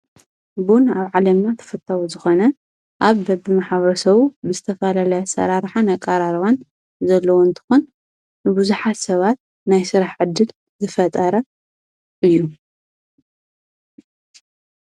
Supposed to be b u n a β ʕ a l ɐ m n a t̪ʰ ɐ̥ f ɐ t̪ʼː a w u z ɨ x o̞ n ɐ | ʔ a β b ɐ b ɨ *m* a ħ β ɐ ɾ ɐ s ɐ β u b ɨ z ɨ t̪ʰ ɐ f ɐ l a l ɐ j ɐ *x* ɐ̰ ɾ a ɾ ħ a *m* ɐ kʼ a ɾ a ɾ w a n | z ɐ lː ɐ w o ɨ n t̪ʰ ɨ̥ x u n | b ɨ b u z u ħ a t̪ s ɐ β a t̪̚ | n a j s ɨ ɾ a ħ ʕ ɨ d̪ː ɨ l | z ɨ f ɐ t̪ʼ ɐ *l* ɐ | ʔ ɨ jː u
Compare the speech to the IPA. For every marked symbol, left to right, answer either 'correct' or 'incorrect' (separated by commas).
correct, incorrect, incorrect, incorrect